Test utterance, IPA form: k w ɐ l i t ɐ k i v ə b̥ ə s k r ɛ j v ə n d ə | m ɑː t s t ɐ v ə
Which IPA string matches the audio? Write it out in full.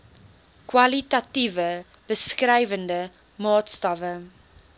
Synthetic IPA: k w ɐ l i t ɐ t i v ə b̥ ə s k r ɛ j v ə n d ə | m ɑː t s t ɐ v ə